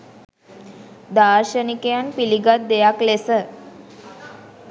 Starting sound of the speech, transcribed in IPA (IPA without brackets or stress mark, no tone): d̪